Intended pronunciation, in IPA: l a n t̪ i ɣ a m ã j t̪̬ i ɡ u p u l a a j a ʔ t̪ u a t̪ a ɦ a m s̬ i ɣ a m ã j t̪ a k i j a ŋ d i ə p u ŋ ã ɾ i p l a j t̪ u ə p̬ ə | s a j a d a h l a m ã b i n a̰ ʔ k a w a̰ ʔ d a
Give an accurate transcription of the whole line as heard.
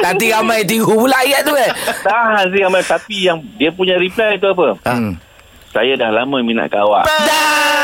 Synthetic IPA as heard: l a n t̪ i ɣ a m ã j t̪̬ i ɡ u p u l a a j a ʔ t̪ u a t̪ a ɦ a n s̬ i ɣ a m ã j t̪ a p i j a ŋ d i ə p u ɲ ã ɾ i p l a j t̪ u a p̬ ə | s a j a d a h l a m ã m i n a̰ ʔ k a w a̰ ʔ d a